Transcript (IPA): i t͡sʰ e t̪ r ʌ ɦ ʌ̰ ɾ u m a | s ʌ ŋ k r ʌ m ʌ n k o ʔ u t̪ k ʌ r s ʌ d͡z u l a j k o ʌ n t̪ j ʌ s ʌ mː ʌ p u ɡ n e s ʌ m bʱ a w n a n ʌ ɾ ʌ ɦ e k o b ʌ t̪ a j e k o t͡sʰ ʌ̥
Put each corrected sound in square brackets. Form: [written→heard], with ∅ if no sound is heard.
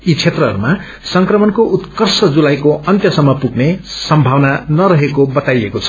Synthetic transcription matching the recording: i t͡sʰ e t̪ r ʌ ɦ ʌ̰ ɾ u m a | s ʌ ŋ k r ʌ m ʌ n k o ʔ u t̪ k ʌ r s ʌ d͡z u l a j k o ʌ n t̪ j ʌ s ʌ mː ʌ p u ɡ n e s ʌ m bʱ a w n a n ʌ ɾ ʌ ɦ e k o b ʌ t̪ a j e k o t͡sʰ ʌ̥

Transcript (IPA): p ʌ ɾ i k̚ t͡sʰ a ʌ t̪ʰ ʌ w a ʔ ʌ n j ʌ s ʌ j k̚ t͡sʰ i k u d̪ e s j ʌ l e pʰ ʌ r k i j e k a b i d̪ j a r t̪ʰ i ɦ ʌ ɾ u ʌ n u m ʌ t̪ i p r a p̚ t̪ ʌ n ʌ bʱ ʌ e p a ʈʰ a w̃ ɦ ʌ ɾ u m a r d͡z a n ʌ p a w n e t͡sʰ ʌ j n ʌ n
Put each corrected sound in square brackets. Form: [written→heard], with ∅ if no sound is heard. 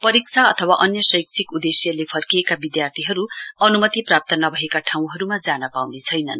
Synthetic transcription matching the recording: p ʌ ɾ i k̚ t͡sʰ a ʌ t̪ʰ ʌ w a ʔ ʌ n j ʌ s ʌ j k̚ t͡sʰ i k u d̪ e s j ʌ l e pʰ ʌ r k i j e k a b i d̪ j a r t̪ʰ i ɦ ʌ ɾ u ʌ n u m ʌ t̪ i p r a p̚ t̪ ʌ n ʌ bʱ ʌ e [p→k] a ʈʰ a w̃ ɦ ʌ ɾ u m a [r→∅] d͡z a n ʌ p a w n e t͡sʰ ʌ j n ʌ n

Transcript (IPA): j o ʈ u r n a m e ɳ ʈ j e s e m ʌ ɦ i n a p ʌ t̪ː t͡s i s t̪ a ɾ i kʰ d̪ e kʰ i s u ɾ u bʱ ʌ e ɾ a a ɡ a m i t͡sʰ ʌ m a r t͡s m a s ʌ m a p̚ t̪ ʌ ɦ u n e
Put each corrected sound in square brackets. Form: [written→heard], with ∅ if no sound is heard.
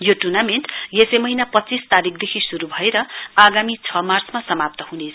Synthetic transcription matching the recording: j o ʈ u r n a m e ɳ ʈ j e s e m ʌ ɦ i n a p ʌ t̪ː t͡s i s t̪ a ɾ i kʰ d̪ e kʰ i s u ɾ u bʱ ʌ e ɾ [a→ʌ] a ɡ a m i t͡sʰ ʌ m a r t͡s m a s ʌ m a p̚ t̪ ʌ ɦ u n e

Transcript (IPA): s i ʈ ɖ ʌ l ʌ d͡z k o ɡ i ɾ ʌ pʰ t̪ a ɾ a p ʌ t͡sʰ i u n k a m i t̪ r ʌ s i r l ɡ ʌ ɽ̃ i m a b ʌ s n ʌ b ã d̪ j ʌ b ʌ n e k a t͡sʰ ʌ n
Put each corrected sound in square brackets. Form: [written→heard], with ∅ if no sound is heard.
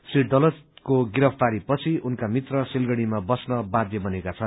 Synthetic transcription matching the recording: s i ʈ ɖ ʌ l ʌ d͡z k o ɡ i ɾ ʌ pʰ t̪ a ɾ [a→i] p ʌ t͡sʰ i u n k a m i t̪ r ʌ s i [r→∅] l ɡ ʌ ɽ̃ i m a b ʌ s n ʌ b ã d̪ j ʌ b ʌ n e k a t͡sʰ ʌ n

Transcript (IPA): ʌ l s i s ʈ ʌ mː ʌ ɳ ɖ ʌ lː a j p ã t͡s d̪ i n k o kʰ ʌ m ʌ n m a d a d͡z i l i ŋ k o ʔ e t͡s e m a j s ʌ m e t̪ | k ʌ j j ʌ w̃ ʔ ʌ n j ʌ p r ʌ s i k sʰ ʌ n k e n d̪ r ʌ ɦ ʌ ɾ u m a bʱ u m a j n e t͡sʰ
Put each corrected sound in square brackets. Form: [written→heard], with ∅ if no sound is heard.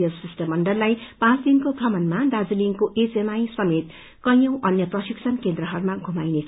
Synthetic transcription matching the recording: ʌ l s i s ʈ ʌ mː ʌ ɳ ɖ ʌ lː a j p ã t͡s d̪ i n k o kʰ ʌ m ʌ n m a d a d͡z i l i ŋ k o ʔ e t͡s e m a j s ʌ m e t̪ | k ʌ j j ʌ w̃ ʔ ʌ n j ʌ p r ʌ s i k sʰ ʌ n k e n d̪ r ʌ ɦ ʌ ɾ u m a [bʱ→ɡʱ] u m a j n e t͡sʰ

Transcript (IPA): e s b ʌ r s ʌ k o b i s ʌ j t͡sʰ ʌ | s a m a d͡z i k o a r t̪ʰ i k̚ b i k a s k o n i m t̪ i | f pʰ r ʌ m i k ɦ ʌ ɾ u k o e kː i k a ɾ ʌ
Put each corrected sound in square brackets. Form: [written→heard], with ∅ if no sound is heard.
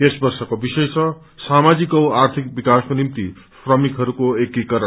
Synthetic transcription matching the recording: e s b ʌ r s ʌ k o b i s ʌ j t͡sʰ ʌ | s a m a d͡z i k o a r t̪ʰ i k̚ b i k a s k o n i m t̪ i | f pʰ r ʌ m i k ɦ ʌ ɾ u k o e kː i k [a→ʌ] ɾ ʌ

